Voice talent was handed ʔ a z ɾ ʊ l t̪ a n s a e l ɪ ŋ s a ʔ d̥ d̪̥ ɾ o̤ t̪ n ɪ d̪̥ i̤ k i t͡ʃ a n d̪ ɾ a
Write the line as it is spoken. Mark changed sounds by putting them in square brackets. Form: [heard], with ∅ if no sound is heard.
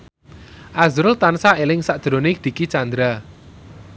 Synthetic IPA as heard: ʔ a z ɾ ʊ l t̪ a n s a e l ɪ ŋ s a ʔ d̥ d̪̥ ɾ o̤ [∅] n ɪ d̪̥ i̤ k i t͡ʃ a n d̪ ɾ a